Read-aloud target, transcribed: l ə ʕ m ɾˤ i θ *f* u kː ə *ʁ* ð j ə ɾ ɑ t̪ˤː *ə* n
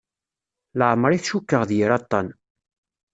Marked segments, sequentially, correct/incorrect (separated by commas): incorrect, correct, incorrect